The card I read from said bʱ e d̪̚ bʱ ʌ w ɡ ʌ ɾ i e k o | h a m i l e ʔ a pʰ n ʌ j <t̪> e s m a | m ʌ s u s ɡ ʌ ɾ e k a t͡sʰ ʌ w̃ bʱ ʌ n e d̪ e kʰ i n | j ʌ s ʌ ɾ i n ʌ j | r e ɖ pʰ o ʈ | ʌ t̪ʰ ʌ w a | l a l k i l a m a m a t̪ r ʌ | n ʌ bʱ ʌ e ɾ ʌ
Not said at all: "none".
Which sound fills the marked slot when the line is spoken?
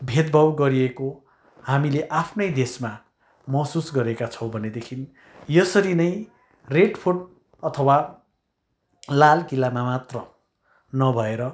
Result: d̪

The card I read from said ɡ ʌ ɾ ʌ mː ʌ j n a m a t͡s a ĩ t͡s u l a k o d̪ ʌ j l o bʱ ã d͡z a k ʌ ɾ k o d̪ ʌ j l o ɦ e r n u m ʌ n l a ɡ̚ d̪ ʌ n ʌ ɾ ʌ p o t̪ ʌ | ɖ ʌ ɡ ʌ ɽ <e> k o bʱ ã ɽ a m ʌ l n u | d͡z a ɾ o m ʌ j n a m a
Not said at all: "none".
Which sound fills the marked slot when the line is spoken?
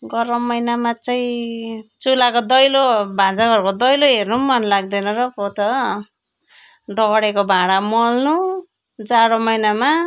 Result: e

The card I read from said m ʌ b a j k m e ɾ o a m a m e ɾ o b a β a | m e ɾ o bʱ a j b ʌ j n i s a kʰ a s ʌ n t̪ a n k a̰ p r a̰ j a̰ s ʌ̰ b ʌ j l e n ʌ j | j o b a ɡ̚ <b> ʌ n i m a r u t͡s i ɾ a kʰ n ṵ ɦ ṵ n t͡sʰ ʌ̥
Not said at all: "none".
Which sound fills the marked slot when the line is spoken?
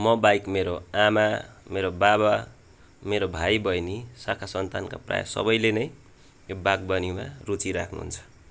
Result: b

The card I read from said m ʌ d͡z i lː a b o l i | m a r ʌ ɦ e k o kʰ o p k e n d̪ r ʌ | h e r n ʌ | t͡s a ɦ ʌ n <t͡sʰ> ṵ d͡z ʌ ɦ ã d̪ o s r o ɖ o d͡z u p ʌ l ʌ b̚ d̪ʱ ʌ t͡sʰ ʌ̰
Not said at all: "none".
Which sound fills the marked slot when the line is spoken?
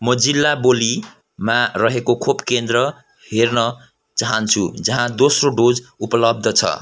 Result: t͡sʰ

